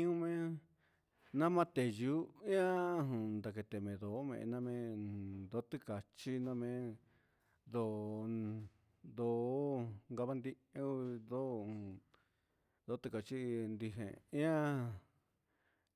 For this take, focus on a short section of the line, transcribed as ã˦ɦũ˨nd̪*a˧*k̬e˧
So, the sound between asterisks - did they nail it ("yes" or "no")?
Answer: yes